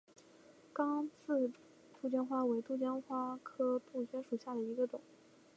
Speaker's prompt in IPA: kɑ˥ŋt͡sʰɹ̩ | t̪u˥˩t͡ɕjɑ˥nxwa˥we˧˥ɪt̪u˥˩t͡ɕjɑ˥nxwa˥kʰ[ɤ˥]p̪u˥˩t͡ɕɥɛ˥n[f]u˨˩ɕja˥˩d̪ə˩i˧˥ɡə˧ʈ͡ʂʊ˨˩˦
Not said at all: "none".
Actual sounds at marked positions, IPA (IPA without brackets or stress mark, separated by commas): ɤ˥, ʂ